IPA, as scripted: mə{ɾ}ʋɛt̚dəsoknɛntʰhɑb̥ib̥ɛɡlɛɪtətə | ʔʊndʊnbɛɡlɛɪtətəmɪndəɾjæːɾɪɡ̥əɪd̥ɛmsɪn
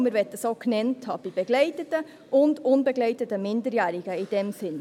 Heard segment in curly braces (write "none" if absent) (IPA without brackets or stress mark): ɾ